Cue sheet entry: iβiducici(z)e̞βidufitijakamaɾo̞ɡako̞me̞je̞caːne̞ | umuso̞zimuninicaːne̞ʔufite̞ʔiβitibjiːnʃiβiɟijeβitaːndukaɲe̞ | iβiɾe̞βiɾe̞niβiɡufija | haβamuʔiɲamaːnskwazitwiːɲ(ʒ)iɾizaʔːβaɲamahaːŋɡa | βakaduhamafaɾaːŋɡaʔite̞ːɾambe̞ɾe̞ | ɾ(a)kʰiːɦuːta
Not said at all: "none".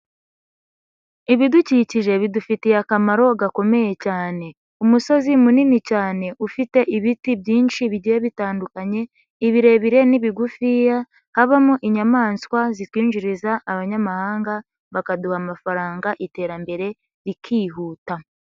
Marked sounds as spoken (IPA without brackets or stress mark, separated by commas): ʒ, ʒ, i